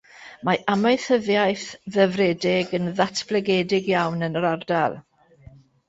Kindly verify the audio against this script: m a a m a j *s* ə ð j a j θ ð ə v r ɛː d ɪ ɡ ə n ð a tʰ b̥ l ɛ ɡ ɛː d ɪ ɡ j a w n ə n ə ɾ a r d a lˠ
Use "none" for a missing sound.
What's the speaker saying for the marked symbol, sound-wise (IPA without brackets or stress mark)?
θ